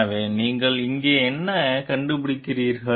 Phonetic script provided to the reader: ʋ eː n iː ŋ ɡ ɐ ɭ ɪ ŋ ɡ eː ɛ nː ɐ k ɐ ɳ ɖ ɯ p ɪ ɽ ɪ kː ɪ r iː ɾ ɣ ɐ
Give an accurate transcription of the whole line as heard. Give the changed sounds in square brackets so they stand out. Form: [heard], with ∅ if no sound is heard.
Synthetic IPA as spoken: ʋ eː n iː ŋ ɡ ɐ ɭ ɪ ŋ ɡ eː ɛ nː ɐ k ɐ ɳ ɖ ɯ p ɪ ɽ ɪ kː ɪ r iː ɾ ɣ ɐ